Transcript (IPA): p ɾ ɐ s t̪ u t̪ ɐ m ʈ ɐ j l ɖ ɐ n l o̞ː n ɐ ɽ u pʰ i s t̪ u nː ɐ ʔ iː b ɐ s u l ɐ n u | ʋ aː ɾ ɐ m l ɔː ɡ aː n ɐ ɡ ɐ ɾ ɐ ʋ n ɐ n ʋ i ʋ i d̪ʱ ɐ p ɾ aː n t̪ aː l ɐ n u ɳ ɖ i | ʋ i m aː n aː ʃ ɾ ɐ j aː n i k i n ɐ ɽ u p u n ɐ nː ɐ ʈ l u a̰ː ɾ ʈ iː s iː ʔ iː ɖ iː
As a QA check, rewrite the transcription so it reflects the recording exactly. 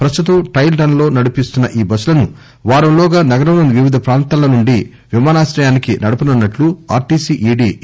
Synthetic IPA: p ɾ ɐ s t̪ u t̪ ɐ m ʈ ɐ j l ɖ ɐ n l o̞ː n ɐ ɽ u p i s t̪ u nː ɐ ʔ iː b ɐ s u l ɐ n u | ʋ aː ɾ ɐ m l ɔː ɡ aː n ɐ ɡ ɐ ɾ ɐ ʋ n ɐ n ʋ i ʋ i d̪ʱ ɐ p ɾ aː n t̪ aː l ɐ n u ɳ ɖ i | ʋ i m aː n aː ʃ ɾ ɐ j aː n i k i n ɐ ɽ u p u n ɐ nː ɐ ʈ l u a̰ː ɾ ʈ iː s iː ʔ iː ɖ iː